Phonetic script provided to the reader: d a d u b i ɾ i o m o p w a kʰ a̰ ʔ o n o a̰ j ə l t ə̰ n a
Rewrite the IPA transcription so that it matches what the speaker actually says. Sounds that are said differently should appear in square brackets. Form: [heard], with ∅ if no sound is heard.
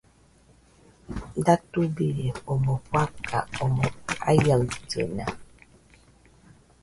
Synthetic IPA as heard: d a [t] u b i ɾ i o m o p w a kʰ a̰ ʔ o [m] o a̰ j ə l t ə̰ n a